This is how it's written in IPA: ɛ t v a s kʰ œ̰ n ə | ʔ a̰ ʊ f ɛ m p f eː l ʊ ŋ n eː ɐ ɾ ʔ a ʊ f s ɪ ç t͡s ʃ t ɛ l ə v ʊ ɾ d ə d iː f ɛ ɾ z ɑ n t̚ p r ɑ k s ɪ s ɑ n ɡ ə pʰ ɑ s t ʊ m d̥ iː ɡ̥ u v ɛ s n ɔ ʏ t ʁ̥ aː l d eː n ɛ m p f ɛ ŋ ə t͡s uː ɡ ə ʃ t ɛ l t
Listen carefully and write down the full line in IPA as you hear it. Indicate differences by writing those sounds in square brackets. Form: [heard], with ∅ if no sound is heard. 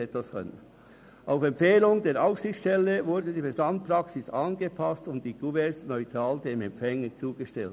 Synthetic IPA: ɛ t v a s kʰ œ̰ n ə | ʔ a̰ ʊ f ɛ m p f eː l ʊ ŋ [d] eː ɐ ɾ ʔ a ʊ f s ɪ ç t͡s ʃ t ɛ l ə v ʊ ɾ d ə d iː f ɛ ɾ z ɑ n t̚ p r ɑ k s ɪ s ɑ n ɡ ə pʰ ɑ s t ʊ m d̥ iː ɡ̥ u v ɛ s n ɔ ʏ t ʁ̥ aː l d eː [m] ɛ m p f ɛ ŋ ə t͡s uː ɡ ə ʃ t ɛ l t

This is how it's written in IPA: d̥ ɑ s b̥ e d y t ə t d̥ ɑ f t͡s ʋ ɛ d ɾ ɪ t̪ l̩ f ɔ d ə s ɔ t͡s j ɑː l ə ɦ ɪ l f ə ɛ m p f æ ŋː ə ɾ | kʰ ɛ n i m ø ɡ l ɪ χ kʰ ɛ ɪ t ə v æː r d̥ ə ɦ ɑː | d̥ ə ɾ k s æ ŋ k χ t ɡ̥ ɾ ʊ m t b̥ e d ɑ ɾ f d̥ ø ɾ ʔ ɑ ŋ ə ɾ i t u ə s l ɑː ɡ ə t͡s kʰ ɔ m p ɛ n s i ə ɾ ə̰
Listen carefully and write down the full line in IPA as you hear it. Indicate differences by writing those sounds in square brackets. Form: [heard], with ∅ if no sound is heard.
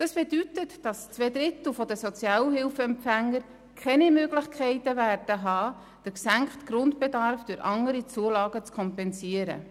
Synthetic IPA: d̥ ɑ s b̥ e d y t ə t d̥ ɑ [s] t͡s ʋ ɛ d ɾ ɪ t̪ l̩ f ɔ d ə s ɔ t͡s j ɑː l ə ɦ ɪ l f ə ɛ m p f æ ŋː ə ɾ | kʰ ɛ n i m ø ɡ l ɪ χ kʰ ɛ ɪ t ə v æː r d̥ ə ɦ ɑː | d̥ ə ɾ k s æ ŋ k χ t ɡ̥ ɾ ʊ [n] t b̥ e d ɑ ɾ f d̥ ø ɾ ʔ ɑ ŋ ə ɾ i [t͡s] u ə [∅] l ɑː ɡ ə t͡s kʰ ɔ m p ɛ n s i ə ɾ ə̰

